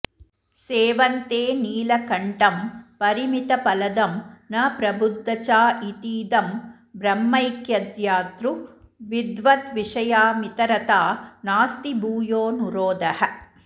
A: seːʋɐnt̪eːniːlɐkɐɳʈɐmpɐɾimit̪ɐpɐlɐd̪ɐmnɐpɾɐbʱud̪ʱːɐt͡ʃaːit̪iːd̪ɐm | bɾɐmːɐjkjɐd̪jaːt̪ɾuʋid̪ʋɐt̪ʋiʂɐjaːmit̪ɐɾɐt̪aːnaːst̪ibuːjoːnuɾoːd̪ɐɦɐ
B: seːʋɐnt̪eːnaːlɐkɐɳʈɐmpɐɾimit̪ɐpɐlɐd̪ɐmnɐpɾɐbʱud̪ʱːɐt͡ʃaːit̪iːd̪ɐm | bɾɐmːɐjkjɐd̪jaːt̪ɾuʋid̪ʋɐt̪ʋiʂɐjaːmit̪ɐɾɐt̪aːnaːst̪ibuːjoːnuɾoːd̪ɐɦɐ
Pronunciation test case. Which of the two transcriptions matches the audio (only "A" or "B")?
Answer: A